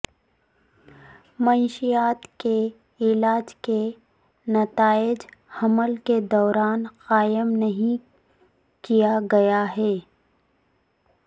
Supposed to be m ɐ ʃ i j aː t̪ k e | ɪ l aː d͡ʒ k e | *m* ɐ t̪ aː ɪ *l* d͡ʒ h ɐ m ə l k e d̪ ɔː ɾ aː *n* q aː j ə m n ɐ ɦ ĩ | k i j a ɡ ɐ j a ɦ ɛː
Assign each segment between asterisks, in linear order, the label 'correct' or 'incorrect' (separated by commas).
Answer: incorrect, incorrect, correct